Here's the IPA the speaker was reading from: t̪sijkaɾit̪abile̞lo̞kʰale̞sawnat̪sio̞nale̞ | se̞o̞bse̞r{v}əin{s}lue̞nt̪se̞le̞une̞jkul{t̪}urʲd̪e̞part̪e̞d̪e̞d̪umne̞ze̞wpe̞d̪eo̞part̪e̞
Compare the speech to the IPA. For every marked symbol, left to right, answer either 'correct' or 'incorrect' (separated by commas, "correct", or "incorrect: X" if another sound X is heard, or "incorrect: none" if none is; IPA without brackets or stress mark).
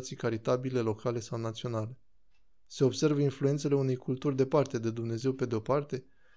correct, incorrect: f, correct